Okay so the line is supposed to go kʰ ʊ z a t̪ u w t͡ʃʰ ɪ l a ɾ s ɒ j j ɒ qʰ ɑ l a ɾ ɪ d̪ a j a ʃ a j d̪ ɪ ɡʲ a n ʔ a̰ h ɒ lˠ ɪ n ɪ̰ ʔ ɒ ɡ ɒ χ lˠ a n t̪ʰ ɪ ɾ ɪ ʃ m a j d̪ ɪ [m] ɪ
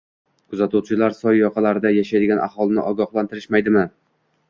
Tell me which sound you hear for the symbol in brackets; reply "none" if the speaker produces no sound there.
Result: m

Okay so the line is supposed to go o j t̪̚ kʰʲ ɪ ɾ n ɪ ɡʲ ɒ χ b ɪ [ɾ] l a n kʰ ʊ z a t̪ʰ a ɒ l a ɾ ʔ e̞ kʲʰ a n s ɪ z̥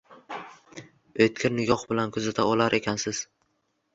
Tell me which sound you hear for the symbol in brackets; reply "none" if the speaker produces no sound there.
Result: none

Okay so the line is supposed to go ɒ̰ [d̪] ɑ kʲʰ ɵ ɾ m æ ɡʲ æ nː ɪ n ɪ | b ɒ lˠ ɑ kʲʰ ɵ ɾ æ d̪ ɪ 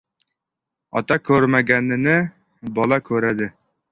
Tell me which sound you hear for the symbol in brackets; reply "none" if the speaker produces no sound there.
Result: t̪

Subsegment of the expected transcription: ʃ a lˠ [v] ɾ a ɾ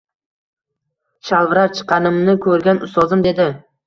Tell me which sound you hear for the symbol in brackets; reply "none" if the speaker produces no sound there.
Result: v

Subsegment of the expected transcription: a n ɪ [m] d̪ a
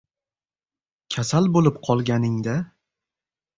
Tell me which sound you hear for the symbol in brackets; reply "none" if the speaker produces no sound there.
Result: ŋ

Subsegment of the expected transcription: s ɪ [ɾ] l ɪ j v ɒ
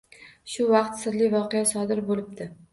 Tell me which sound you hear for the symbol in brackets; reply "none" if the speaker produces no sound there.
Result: ɾ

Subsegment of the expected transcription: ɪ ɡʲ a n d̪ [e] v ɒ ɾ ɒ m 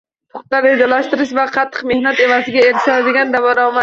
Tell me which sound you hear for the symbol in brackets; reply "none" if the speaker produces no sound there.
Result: a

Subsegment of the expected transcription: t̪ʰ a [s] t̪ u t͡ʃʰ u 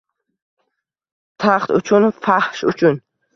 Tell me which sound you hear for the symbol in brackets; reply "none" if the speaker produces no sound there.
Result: χ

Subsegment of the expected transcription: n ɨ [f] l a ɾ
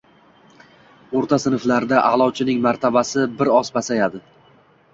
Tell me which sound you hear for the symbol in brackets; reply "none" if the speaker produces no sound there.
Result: f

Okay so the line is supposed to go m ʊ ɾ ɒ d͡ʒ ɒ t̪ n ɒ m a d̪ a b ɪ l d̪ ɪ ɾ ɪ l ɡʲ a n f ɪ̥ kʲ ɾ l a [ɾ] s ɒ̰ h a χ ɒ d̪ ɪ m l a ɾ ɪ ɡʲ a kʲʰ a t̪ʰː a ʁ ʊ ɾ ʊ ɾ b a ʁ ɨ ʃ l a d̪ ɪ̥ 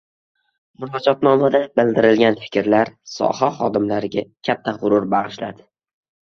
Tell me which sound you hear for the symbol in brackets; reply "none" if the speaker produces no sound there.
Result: ɾ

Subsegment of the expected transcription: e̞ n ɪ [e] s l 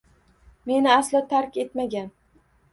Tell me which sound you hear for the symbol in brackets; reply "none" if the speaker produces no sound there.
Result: a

